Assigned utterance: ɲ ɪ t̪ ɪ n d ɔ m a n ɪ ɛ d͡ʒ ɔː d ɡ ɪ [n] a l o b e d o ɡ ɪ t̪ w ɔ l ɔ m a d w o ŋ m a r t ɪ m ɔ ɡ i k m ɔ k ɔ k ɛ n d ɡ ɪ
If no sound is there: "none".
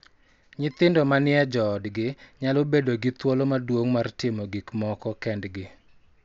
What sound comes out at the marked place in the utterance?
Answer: ɲ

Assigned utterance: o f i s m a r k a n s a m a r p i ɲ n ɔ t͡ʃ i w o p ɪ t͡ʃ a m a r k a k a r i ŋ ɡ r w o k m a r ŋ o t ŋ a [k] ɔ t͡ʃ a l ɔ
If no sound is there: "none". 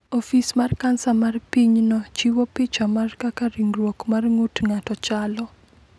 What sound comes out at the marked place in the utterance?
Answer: t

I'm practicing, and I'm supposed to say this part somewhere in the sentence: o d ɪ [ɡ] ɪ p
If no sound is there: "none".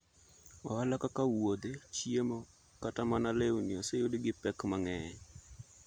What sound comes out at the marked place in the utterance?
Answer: ɡ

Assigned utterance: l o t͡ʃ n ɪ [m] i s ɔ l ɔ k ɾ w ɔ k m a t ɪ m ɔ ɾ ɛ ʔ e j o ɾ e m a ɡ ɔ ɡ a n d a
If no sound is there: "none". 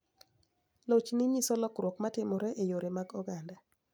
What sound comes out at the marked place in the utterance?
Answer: ɲ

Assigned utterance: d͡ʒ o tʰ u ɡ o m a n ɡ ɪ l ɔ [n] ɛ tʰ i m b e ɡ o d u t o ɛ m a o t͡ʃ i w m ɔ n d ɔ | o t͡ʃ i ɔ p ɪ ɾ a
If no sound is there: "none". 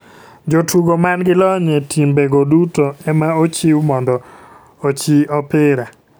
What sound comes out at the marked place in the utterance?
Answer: ɲ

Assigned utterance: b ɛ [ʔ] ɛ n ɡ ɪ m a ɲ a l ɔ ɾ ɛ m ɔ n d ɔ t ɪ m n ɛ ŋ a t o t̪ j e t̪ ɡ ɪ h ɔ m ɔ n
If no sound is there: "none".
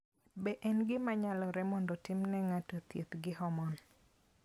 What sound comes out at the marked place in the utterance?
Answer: ʔ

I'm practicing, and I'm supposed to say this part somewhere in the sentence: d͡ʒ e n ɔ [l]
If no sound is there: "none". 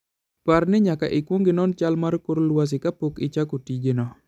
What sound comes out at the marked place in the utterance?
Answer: none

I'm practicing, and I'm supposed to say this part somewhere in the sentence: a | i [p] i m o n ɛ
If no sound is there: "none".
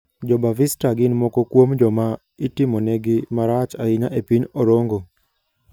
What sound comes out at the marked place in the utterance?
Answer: t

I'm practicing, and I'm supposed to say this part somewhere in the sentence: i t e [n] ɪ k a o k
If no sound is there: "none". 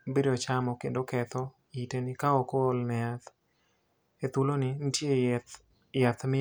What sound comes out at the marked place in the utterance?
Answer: n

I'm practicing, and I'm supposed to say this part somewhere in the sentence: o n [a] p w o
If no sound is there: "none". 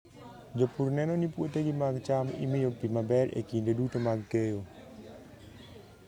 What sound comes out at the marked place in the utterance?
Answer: i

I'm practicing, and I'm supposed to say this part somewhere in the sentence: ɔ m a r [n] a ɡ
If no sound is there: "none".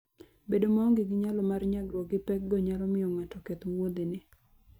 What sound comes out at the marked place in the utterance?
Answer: ɲ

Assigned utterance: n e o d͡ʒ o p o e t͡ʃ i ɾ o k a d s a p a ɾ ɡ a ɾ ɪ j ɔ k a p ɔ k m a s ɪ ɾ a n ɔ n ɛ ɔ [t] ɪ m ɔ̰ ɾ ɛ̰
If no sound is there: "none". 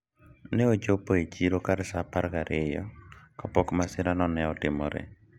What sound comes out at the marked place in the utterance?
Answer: t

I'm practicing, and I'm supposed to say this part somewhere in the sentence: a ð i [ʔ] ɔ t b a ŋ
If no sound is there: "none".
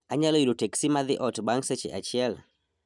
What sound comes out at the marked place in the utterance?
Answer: ʔ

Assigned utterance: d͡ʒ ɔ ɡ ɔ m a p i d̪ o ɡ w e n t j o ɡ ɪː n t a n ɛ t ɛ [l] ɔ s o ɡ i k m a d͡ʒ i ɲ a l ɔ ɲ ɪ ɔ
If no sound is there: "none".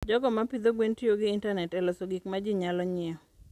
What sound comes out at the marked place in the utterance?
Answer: l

